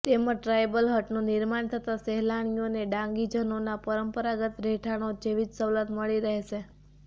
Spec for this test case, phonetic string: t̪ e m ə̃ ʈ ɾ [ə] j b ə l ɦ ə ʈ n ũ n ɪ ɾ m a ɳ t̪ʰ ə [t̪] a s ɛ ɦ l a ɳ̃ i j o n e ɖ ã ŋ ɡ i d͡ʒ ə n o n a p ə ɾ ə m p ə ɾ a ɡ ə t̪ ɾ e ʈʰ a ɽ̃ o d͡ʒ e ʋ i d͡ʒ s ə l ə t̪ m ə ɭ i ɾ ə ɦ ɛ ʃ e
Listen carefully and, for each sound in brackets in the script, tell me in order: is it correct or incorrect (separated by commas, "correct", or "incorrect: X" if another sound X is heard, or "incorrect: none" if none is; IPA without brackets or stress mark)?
incorrect: a, correct